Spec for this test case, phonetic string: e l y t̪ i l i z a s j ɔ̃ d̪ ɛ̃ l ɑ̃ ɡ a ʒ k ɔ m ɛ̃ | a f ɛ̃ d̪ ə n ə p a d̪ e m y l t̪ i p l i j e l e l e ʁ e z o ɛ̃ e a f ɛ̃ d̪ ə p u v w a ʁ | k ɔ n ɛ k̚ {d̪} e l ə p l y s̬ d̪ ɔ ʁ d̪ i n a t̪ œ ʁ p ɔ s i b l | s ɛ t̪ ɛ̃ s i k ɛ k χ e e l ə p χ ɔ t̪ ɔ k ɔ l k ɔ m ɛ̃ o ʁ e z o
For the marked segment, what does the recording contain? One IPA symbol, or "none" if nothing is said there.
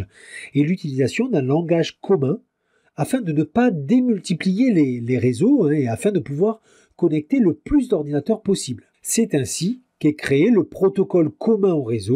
t̪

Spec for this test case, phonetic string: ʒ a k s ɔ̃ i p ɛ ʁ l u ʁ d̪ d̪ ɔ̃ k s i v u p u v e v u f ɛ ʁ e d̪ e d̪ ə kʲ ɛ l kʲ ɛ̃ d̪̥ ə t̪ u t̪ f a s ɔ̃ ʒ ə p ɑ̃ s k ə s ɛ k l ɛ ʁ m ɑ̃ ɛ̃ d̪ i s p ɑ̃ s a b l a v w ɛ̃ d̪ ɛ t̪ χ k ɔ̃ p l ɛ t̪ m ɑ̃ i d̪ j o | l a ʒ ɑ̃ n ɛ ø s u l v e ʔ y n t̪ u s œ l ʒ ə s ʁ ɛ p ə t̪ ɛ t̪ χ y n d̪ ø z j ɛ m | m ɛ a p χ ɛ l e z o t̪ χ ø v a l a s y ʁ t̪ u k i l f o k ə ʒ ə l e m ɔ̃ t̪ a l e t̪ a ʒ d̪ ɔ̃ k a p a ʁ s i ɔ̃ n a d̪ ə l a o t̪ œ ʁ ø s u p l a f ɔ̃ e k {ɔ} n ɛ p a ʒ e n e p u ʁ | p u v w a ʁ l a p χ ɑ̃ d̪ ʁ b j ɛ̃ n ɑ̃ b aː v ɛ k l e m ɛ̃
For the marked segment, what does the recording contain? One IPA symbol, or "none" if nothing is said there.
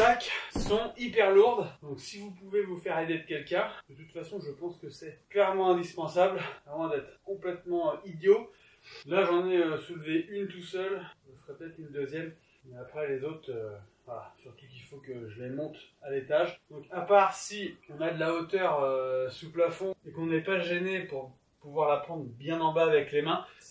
ɔ̃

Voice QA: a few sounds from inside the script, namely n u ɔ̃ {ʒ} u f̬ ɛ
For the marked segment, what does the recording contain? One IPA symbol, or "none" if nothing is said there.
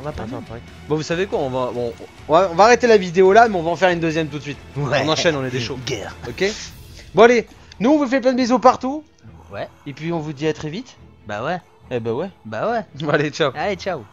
v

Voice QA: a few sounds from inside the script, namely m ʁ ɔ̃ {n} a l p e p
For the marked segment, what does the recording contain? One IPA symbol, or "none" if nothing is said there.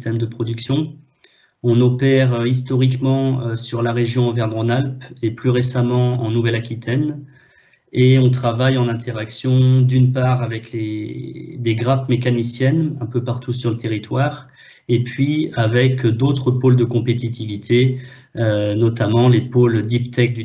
n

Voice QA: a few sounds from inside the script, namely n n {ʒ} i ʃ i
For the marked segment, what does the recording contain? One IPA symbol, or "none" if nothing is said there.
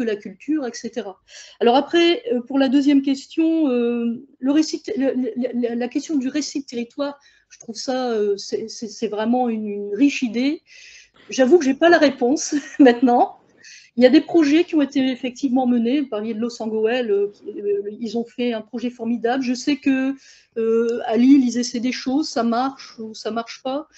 ʁ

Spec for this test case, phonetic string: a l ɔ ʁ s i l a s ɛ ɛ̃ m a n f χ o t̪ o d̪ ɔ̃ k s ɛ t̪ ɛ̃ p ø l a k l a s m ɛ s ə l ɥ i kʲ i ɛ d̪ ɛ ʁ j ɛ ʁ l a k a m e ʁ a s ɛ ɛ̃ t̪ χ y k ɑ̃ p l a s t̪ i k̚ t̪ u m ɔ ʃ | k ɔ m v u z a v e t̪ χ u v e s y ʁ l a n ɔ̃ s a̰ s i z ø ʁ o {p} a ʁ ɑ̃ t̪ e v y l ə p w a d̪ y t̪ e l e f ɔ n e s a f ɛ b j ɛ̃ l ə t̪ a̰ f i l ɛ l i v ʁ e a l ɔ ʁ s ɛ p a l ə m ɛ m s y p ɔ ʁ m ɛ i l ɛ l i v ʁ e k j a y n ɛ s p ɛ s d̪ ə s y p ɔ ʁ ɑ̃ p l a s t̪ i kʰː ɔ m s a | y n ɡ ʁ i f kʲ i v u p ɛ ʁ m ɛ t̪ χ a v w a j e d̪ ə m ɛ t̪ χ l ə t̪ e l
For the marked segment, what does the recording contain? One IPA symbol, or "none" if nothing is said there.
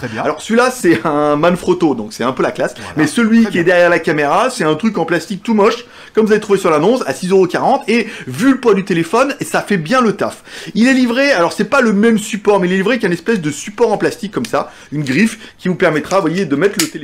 k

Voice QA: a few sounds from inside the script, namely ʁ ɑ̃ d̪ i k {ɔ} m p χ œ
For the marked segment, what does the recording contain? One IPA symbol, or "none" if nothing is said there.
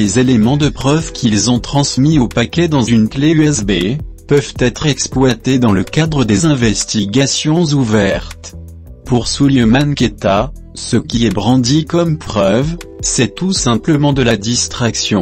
ɔ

